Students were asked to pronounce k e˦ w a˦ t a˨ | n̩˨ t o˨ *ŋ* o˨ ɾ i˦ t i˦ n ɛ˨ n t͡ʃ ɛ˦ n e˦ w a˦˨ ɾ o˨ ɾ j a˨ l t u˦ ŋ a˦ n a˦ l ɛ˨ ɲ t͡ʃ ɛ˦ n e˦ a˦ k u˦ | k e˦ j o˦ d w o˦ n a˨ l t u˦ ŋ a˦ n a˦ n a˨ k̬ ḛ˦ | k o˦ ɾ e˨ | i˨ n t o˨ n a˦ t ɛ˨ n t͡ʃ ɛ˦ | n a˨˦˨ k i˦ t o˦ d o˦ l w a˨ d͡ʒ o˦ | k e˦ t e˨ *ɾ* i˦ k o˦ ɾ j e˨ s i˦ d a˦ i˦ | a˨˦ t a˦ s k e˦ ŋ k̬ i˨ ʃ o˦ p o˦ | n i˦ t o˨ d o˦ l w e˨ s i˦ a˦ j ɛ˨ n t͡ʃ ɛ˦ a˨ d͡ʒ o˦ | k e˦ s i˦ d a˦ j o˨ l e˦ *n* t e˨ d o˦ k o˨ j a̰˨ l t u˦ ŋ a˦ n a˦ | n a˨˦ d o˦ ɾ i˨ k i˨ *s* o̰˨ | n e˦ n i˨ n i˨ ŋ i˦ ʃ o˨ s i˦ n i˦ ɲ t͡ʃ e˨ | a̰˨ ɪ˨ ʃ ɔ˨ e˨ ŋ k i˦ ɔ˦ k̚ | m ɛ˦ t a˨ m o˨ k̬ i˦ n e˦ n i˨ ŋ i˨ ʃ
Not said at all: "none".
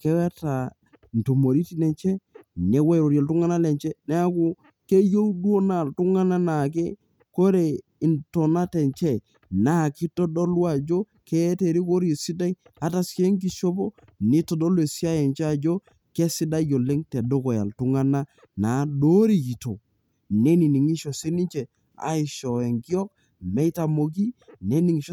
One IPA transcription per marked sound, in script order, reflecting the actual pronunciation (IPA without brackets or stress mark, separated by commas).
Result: m, ɾ, ŋ, t